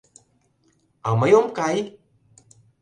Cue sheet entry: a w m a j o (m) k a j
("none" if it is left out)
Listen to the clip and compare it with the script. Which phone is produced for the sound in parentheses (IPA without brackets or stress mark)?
m